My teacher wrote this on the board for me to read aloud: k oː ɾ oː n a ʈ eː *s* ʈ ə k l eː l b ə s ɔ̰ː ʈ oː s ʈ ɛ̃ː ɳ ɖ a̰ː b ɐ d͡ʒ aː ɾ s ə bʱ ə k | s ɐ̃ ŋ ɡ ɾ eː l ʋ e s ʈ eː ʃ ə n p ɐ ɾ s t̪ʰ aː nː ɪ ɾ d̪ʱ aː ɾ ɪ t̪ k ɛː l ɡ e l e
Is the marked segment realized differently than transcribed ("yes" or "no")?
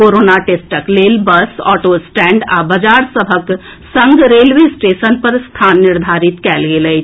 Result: no